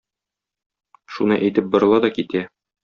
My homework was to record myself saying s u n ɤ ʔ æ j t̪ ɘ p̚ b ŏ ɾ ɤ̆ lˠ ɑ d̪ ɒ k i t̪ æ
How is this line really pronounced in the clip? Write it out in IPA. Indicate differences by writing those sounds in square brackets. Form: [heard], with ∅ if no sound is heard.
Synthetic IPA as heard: [ʃ] u n ɤ ʔ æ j t̪ ɘ p̚ b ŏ ɾ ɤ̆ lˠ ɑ d̪ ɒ k i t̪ æ

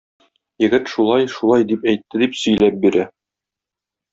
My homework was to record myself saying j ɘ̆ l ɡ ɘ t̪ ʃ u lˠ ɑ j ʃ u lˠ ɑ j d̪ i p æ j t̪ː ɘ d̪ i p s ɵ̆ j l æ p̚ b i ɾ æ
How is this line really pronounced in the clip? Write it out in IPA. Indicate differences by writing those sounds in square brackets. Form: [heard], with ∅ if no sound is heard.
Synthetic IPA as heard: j ɘ̆ [∅] ɡ ɘ t̪ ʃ u lˠ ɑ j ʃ u lˠ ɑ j d̪ i p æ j t̪ː ɘ d̪ i p s ɵ̆ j l æ p̚ b i ɾ æ

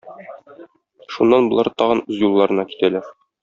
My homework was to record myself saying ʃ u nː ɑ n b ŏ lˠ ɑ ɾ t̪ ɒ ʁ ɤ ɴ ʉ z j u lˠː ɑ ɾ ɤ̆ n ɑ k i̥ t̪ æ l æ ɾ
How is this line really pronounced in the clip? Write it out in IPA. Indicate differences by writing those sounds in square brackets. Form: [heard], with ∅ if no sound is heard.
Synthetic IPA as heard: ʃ u nː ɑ n b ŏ lˠ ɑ ɾ t̪ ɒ ʁ ɤ [n] ʉ z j u lˠː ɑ ɾ ɤ̆ n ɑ k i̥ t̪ æ l æ ɾ

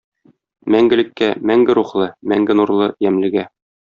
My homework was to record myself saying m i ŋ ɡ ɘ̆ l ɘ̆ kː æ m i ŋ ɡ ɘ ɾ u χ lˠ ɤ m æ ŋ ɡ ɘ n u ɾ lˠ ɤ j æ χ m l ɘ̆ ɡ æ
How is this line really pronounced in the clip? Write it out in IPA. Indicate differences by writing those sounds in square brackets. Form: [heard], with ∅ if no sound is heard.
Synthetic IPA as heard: m [æ] ŋ ɡ ɘ̆ l ɘ̆ kː æ m [æ] ŋ ɡ ɘ ɾ u χ lˠ ɤ m æ ŋ ɡ ɘ n u ɾ lˠ ɤ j æ [∅] m l ɘ̆ ɡ æ

